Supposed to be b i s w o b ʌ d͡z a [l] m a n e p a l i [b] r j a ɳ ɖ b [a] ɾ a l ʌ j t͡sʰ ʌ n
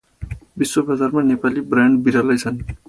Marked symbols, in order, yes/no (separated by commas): no, yes, no